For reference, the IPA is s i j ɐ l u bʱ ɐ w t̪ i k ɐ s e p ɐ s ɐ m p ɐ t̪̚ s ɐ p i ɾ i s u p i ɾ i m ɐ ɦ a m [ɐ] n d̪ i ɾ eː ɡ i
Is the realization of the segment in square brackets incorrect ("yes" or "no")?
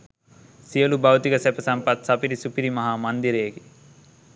no